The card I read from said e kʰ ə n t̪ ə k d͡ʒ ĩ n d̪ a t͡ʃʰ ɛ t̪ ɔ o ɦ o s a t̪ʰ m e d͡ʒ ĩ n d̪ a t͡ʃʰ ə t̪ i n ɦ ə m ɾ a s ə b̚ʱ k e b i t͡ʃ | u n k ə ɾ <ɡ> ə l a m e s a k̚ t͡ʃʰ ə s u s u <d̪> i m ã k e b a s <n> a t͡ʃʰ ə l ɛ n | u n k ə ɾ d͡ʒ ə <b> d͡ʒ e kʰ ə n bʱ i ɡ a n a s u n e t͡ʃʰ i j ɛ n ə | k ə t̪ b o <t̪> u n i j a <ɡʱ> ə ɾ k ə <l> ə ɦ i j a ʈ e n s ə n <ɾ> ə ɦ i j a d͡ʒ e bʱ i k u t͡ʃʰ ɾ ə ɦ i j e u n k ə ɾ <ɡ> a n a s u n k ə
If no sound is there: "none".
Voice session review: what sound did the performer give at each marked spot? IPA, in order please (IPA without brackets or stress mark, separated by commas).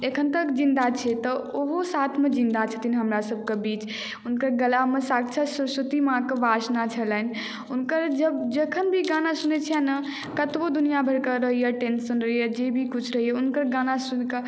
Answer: ɡ, t̪, n, b, d̪, bʱ, ɾ, ɾ, ɡ